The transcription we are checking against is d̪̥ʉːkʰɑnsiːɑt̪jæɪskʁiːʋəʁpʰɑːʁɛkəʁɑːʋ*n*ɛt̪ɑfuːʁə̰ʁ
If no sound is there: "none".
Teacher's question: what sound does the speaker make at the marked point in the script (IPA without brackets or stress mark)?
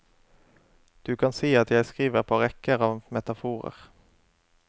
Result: m